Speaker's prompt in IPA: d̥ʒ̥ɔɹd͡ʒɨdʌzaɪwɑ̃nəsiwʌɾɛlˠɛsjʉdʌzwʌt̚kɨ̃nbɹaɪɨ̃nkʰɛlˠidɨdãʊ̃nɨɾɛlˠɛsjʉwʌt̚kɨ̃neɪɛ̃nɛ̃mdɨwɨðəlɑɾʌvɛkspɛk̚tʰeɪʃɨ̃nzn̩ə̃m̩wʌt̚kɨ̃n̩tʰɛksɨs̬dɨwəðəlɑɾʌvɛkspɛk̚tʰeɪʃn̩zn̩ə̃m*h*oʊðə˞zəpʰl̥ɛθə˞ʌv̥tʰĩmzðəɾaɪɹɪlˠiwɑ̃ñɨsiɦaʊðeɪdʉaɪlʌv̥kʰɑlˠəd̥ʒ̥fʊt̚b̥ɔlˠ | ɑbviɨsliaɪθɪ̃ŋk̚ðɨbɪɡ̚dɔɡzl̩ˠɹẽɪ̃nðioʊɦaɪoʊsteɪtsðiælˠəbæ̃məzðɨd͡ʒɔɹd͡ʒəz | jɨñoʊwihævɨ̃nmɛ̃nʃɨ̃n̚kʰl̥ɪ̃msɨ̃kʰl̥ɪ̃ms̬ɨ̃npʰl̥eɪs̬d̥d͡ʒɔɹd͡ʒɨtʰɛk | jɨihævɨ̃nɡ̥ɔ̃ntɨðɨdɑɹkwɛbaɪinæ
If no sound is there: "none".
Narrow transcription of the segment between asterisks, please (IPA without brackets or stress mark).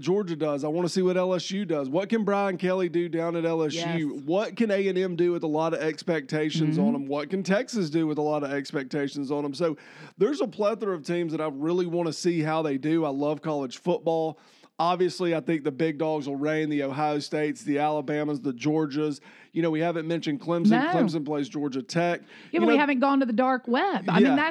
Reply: s